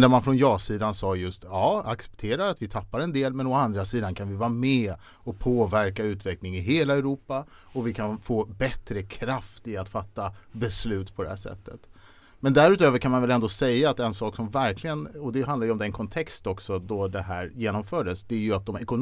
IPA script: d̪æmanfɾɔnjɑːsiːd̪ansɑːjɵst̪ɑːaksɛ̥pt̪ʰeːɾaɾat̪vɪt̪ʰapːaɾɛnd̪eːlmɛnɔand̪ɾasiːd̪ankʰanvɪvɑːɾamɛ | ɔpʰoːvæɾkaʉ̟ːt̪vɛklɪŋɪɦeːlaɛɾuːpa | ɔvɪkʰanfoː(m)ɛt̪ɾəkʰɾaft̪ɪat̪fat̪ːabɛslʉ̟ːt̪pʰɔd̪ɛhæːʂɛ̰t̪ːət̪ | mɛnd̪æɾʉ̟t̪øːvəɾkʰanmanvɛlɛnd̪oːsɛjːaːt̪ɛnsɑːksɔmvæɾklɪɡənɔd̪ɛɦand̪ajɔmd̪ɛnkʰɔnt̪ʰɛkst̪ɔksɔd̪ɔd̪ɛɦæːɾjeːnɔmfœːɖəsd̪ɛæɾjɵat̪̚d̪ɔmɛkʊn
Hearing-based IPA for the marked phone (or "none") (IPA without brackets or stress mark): b